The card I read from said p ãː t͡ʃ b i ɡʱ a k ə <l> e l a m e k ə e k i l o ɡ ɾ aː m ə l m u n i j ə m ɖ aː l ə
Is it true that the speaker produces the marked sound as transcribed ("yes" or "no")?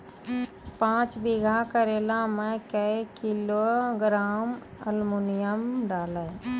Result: no